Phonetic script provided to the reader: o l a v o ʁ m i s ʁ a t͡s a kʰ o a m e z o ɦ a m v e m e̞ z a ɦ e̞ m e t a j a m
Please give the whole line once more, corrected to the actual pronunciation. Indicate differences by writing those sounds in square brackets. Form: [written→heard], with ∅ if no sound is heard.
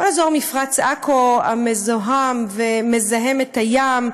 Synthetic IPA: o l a [v→z] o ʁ m i [s→f] ʁ a t͡s a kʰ o a m e z o ɦ a m v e m e̞ z a ɦ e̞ m e t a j a m